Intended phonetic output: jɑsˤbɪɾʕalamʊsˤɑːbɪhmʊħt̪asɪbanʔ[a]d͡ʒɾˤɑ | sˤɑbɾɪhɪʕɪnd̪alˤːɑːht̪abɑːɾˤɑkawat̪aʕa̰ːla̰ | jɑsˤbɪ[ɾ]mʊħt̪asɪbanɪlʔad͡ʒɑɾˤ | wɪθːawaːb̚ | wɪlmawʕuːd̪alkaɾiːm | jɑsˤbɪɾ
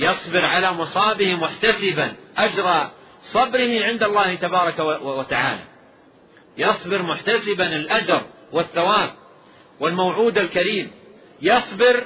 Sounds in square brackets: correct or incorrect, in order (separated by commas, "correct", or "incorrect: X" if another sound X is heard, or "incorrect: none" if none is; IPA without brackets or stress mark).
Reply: correct, correct